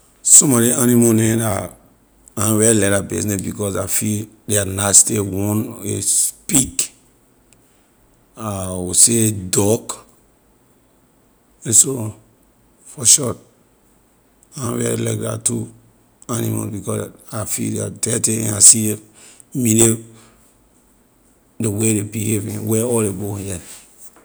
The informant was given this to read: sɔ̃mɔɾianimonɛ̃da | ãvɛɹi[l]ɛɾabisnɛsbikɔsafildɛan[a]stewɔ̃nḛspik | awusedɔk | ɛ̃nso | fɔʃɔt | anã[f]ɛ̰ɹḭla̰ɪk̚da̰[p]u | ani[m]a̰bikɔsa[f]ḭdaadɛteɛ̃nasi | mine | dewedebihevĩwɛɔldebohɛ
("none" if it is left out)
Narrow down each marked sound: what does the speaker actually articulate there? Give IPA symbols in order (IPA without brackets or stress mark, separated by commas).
l, a, v, t, m, f